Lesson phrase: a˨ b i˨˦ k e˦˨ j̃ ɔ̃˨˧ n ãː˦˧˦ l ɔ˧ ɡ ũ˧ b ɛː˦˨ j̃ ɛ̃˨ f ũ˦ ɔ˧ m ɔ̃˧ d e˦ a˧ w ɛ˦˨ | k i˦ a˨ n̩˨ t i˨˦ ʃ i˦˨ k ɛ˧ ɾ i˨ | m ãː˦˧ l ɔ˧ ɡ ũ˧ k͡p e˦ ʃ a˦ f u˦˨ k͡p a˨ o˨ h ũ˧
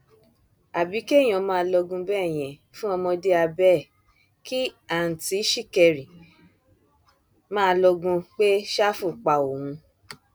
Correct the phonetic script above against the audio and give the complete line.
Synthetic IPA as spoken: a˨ b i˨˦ k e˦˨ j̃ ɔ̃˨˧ m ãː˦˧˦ l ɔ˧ ɡ ũ˧ b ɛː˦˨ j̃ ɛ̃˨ f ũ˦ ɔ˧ m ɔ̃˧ d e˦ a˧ b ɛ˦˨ | k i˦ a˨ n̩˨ t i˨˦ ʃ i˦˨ k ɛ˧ ɾ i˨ | m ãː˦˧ l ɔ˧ ɡ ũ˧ k͡p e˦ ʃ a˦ f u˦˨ k͡p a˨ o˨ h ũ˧

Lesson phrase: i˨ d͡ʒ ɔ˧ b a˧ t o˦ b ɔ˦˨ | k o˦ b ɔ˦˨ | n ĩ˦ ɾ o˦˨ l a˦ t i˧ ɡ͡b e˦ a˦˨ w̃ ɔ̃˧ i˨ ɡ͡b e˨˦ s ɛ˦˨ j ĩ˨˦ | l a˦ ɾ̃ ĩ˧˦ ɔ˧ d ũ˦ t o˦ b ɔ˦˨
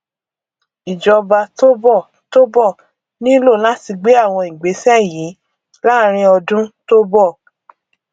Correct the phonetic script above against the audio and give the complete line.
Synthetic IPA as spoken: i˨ d͡ʒ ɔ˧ b a˧ t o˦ b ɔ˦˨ | t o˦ b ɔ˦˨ | n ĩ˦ l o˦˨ l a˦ t i˧ ɡ͡b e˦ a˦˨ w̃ ɔ̃˧ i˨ ɡ͡b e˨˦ s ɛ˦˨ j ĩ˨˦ | l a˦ ɾ̃ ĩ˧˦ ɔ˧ d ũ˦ t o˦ b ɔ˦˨

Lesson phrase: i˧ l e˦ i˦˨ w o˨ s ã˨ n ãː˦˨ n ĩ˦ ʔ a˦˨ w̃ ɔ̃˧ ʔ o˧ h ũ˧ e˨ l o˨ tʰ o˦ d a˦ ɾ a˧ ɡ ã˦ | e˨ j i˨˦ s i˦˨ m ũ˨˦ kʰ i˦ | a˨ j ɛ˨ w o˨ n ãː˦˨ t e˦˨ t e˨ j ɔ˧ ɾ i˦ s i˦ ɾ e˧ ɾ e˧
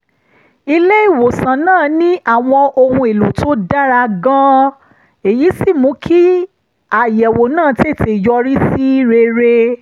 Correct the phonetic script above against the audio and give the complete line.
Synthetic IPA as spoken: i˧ l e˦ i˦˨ w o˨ s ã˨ n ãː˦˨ n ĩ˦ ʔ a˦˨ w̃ ɔ̃˧ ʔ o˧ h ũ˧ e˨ l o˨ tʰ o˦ d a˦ ɾ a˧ ɡ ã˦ | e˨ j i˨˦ s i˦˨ m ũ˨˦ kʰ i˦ | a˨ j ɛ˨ w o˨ n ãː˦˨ t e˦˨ t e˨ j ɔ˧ ɾ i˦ s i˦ ɾ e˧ ɾ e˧

